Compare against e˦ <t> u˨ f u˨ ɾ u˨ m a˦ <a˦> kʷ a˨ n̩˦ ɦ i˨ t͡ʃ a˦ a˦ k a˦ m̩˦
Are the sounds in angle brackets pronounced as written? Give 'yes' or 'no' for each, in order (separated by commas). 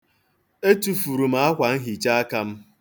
yes, yes